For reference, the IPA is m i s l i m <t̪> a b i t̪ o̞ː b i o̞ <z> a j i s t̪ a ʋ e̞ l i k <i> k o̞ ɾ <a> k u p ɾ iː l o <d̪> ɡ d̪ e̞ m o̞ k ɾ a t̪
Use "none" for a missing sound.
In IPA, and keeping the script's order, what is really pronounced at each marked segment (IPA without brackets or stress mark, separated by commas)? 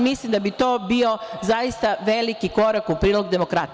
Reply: d̪, z, i, a, none